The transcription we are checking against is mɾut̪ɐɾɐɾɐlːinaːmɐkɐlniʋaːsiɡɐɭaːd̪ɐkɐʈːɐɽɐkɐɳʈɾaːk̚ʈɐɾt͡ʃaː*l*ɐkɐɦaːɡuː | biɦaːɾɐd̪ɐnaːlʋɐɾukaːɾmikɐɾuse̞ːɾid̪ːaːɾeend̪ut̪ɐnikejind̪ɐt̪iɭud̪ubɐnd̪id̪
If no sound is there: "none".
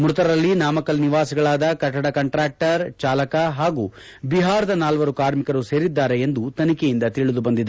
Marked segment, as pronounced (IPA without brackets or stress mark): l